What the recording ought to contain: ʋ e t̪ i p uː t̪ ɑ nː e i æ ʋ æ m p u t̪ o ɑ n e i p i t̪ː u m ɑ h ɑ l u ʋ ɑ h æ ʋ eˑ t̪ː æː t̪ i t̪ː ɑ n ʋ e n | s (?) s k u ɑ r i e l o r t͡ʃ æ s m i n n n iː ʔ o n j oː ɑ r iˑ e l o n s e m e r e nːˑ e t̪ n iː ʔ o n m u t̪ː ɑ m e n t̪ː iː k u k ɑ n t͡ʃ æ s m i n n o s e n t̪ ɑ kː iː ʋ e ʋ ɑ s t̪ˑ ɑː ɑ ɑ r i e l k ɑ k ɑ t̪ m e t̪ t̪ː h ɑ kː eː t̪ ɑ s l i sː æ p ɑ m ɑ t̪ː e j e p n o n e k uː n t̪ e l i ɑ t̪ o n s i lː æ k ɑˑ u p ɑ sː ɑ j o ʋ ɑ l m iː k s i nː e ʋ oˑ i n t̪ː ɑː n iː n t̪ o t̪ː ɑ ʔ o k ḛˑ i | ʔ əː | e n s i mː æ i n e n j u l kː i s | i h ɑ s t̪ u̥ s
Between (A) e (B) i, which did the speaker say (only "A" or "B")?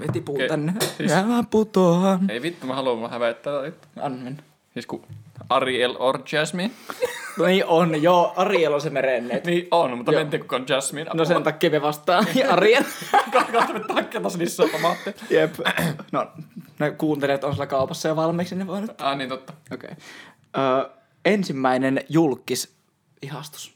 B